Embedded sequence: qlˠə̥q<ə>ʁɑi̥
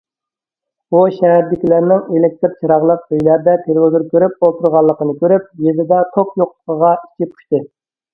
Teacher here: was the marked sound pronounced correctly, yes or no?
yes